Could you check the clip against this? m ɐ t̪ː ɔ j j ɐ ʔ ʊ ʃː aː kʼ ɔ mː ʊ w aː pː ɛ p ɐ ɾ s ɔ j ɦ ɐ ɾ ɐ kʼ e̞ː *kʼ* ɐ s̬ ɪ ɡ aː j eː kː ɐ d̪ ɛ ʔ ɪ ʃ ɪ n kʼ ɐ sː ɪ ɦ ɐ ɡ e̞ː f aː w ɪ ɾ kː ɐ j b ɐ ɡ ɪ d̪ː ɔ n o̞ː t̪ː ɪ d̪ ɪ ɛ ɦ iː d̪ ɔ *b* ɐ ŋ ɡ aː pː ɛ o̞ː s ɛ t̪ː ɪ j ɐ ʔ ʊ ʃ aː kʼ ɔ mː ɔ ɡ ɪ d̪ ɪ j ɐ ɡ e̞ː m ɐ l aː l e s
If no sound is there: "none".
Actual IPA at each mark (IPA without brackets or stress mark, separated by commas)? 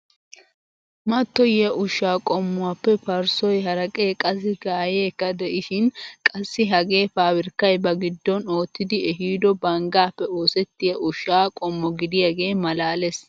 kʼ, b